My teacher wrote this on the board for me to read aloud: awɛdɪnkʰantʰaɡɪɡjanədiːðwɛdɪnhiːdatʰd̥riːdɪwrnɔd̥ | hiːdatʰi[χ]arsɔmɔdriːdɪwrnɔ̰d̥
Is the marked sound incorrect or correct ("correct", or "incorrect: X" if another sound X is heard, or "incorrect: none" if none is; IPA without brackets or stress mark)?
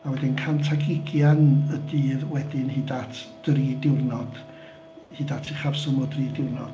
correct